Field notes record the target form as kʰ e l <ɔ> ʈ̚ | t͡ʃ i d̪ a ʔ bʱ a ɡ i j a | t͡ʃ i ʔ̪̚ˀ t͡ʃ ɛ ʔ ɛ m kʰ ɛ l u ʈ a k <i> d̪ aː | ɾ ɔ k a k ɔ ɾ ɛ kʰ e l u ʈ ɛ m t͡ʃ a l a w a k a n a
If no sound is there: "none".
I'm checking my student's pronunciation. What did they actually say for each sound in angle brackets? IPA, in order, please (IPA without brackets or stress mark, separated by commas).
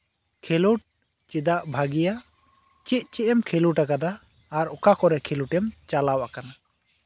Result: u, a